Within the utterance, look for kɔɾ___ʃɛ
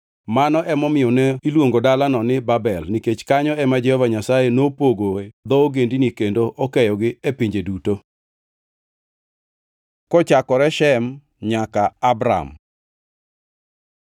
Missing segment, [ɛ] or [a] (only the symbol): ɛ